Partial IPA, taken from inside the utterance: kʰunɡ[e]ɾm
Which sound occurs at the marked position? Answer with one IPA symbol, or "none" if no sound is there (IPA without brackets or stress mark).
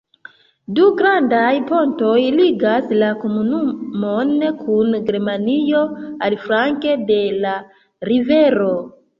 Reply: e